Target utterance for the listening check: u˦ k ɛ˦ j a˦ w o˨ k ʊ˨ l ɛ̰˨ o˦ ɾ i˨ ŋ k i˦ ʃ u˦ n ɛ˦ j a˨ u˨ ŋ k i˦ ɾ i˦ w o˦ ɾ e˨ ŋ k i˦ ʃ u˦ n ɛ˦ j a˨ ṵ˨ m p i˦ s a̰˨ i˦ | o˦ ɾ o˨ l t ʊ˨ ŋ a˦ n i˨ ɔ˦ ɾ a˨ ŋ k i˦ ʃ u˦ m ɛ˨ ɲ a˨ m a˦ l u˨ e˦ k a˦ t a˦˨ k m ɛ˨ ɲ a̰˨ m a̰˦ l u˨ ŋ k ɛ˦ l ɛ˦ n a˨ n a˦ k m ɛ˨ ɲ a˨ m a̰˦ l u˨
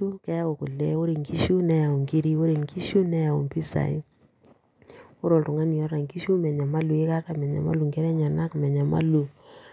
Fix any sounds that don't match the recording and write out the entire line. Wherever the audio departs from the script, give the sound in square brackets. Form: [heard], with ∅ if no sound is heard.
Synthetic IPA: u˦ k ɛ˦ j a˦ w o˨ k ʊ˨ l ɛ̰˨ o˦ ɾ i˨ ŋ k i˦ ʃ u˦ n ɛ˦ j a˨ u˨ ŋ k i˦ ɾ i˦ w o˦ ɾ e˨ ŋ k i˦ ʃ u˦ n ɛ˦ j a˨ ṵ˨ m p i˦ s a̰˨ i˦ | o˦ ɾ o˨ l t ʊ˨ ŋ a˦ n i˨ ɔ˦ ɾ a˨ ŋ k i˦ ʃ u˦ m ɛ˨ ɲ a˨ m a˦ l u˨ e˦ k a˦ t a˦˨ [∅] m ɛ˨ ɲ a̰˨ m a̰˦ l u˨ ŋ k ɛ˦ [ɾ] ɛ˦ [ɲ] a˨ n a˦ k m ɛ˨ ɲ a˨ m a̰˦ l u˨

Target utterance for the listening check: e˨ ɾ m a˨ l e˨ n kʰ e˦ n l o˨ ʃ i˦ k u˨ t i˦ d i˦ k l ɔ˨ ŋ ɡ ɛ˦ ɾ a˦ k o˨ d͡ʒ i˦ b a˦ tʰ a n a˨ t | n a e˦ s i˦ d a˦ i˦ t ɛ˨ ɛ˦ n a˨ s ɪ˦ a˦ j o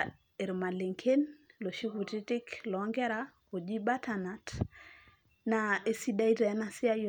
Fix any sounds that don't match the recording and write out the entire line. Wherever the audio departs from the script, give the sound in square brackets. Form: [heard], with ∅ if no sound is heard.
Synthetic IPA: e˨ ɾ m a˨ l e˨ [ŋ] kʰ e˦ n l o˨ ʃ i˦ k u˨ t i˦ [t] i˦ k l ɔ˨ ŋ ɡ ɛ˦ ɾ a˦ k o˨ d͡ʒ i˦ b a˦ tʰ a n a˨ t | n a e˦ s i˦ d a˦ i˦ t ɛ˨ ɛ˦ n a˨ s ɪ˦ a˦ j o

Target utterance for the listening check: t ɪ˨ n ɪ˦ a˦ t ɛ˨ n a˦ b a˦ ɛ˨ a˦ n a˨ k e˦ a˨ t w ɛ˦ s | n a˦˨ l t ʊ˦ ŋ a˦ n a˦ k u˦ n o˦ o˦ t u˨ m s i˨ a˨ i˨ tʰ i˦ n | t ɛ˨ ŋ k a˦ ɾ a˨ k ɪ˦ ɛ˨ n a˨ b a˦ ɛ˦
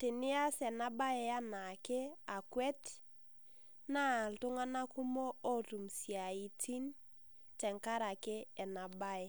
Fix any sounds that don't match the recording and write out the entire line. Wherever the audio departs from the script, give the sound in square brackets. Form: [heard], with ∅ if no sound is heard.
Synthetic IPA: t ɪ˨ n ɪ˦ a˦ [s] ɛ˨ n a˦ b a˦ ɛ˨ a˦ n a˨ k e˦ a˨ [k] w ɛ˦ [t] | n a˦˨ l t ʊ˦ ŋ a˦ n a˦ k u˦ [m] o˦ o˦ t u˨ m s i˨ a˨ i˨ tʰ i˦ n | t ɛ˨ ŋ k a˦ ɾ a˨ k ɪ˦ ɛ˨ n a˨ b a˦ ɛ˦

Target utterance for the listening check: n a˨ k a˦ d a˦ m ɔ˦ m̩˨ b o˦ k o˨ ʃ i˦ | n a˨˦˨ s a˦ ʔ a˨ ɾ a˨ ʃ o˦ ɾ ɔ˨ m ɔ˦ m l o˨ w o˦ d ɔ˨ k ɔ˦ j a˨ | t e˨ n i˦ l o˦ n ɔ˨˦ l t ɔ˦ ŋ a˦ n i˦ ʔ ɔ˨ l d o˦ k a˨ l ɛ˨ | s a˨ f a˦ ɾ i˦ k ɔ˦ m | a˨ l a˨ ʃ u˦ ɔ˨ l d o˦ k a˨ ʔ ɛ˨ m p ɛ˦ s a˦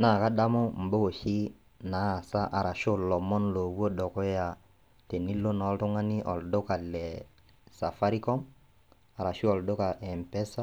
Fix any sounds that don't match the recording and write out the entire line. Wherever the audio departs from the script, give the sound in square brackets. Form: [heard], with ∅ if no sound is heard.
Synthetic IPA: n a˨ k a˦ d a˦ m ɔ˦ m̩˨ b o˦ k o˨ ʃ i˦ | n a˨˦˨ s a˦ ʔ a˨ ɾ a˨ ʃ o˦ [l] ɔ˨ m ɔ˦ [n] l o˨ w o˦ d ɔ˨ k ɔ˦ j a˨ | t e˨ n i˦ l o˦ n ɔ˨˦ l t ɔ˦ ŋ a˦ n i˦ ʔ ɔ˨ l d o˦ k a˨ l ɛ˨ | s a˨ f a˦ ɾ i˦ k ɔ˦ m | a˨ [ɾ] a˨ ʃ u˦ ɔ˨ l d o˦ k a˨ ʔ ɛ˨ m p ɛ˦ s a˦

